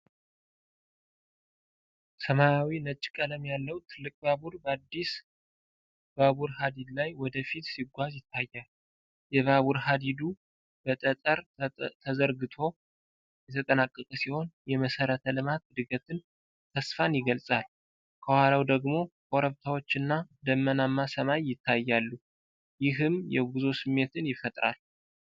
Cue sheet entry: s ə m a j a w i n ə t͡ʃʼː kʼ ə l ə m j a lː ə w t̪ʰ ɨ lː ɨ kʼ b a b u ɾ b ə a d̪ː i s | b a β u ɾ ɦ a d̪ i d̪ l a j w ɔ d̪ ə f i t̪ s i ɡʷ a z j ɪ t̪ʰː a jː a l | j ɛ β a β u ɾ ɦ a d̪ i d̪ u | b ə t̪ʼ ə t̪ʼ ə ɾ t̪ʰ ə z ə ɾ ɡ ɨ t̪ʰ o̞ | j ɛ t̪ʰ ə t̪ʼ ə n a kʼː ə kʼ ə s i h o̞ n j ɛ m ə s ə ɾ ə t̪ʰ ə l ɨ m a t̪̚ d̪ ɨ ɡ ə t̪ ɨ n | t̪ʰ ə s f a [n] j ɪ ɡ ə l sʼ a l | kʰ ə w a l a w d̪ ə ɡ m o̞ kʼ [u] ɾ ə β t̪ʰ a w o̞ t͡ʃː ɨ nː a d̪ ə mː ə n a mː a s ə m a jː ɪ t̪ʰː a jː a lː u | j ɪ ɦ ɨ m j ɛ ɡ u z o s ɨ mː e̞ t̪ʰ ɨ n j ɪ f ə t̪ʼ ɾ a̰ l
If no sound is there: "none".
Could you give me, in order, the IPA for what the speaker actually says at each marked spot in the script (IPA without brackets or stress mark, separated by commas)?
n, o